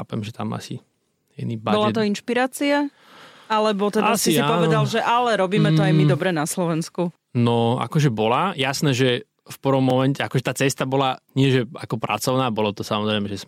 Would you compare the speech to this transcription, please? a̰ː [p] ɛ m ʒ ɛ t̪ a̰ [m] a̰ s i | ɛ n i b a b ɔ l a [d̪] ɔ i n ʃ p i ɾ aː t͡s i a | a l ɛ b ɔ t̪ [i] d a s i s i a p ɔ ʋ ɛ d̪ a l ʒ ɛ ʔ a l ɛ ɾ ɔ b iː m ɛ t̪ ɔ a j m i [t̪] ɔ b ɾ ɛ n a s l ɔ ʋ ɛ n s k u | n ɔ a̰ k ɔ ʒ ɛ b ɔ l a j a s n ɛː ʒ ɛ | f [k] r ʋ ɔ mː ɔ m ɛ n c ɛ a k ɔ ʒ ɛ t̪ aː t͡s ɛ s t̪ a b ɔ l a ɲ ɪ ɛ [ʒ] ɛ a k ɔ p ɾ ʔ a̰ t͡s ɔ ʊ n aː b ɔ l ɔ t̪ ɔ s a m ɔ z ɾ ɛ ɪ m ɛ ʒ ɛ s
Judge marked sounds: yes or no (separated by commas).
yes, yes, no, no, no, no, yes